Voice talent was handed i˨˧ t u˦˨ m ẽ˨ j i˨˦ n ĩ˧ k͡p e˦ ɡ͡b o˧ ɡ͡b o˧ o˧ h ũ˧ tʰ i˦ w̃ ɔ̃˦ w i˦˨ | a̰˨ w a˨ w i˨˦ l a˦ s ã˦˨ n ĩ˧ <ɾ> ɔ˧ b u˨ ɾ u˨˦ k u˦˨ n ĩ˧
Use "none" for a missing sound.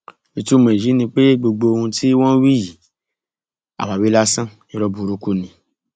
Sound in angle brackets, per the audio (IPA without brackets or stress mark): ɾ